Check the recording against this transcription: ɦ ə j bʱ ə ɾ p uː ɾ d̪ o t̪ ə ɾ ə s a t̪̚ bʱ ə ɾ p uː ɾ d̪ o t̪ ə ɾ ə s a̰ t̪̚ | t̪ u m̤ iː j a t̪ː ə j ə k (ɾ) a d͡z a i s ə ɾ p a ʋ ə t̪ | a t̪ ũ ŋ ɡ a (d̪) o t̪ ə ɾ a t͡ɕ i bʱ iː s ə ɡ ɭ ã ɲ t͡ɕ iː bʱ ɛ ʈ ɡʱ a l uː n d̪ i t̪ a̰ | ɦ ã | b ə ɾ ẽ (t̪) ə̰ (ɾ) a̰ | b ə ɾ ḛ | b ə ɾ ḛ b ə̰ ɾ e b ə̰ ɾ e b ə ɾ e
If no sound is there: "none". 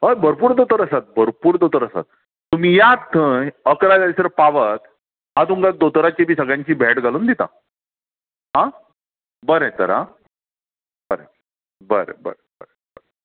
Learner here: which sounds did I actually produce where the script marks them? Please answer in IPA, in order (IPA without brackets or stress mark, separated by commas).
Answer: ɾ, d̪, t̪, ɾ